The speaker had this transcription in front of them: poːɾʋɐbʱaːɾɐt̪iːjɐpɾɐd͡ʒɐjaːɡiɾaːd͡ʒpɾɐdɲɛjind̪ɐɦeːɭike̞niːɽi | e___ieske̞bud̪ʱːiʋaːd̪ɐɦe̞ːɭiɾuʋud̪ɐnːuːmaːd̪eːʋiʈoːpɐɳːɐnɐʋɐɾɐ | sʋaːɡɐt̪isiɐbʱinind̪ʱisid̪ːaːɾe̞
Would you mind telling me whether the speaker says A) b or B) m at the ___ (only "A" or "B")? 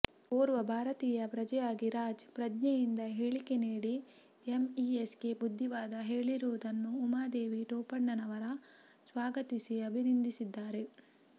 B